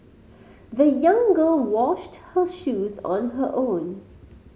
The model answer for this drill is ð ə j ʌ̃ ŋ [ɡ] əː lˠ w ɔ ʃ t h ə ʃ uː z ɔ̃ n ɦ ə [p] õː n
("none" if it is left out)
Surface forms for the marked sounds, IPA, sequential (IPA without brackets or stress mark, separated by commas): ɡ, ʔ